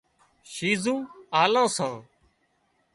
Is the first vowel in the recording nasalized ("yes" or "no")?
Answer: no